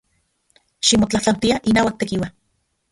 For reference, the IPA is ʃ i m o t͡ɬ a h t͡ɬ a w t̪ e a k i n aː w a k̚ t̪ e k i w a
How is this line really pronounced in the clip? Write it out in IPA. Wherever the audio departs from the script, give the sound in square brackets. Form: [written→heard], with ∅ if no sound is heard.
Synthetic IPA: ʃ i m o t͡ɬ a h t͡ɬ a w t̪ [e→i] a [k→ʔ] i n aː w a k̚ t̪ e k i w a